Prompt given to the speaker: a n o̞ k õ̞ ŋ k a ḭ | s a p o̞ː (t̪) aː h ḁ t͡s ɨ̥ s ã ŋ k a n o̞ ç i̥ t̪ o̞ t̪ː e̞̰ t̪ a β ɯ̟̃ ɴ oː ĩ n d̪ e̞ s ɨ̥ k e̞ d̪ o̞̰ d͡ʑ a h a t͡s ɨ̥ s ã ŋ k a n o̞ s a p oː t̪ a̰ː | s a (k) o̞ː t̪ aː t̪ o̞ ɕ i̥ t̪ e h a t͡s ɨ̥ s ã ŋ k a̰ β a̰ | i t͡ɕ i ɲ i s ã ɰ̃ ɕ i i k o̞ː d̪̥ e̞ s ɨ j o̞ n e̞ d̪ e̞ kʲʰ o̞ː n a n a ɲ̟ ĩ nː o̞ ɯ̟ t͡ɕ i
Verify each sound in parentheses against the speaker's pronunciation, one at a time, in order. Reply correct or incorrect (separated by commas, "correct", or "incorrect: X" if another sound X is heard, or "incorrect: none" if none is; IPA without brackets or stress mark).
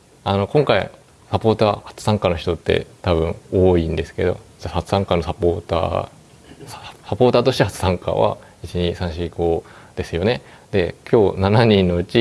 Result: correct, incorrect: p